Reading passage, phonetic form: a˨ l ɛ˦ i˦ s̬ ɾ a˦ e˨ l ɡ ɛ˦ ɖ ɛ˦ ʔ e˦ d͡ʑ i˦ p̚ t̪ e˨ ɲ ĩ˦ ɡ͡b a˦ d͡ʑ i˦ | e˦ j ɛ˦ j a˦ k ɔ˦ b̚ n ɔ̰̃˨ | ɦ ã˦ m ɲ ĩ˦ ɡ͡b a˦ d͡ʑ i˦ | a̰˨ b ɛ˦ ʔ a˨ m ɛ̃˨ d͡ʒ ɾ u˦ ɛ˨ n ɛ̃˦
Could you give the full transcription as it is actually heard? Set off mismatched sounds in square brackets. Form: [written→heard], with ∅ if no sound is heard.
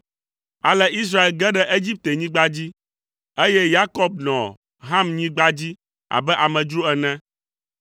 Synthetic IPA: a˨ l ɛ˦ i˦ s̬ ɾ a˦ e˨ l ɡ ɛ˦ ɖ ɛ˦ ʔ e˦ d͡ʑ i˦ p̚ t̪ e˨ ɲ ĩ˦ ɡ͡b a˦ d͡ʑ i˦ | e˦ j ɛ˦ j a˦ k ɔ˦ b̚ n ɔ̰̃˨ | ɦ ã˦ m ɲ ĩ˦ ɡ͡b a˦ d͡ʑ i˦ | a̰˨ b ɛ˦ ʔ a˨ m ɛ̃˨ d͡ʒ ɾ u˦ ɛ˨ n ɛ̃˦